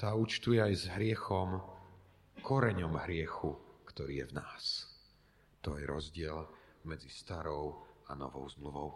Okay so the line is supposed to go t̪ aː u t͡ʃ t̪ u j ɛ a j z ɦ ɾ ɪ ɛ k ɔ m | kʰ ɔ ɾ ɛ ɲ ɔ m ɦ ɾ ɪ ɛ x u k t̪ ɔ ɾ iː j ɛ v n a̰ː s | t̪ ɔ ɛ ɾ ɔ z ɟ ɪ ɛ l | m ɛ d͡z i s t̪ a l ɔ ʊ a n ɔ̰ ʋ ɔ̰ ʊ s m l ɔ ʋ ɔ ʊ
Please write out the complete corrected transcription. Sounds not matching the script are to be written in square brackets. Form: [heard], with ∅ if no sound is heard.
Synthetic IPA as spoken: t̪ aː u t͡ʃ t̪ u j ɛ a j z ɦ ɾ ɪ ɛ [x] ɔ m | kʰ ɔ ɾ ɛ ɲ ɔ m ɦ ɾ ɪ ɛ x u k t̪ ɔ ɾ iː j ɛ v n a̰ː s | t̪ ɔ ɛ ɾ ɔ z ɟ ɪ ɛ l | m ɛ d͡z i s t̪ a [ɾ] ɔ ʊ a n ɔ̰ ʋ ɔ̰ ʊ [z] m l [u] ʋ ɔ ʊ